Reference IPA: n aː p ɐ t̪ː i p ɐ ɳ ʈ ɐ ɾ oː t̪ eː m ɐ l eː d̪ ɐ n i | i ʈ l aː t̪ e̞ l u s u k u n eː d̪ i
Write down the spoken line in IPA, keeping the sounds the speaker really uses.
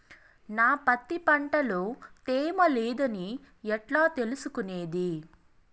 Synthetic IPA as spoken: n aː p ɐ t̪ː i p ɐ ɳ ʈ ɐ l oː t̪ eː m ɐ l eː d̪ ɐ n i | ɛ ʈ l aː t̪ e̞ l u s u k u n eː d̪ i